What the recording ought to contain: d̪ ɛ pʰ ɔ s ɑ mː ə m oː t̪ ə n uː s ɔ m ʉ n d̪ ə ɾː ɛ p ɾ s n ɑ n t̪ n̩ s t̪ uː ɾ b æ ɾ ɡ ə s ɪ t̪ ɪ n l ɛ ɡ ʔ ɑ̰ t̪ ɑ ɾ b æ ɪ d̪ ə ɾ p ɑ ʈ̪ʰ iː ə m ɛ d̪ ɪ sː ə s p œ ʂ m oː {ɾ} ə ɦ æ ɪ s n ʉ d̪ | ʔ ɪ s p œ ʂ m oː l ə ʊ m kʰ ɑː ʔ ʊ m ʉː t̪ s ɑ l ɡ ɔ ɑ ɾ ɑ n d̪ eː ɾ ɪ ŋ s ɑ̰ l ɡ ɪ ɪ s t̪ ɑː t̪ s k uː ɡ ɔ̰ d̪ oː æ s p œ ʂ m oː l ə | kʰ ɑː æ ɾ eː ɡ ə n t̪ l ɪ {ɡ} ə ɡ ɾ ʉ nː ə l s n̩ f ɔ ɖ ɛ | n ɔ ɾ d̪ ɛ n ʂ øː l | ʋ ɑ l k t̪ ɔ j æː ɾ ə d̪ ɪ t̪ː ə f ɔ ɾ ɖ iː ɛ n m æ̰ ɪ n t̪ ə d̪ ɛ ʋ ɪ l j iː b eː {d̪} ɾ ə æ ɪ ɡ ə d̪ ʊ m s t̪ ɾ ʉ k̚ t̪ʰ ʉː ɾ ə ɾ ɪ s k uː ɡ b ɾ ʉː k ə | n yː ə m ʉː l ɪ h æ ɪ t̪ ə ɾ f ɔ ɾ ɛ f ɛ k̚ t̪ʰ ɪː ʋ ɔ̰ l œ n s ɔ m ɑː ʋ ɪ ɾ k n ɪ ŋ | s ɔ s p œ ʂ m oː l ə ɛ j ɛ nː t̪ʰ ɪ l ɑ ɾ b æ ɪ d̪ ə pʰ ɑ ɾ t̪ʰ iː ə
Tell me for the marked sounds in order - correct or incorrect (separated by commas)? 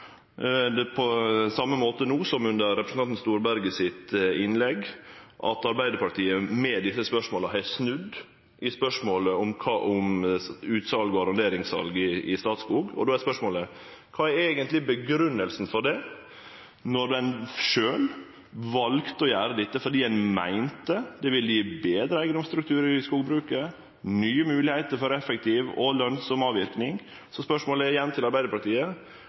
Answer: incorrect, incorrect, correct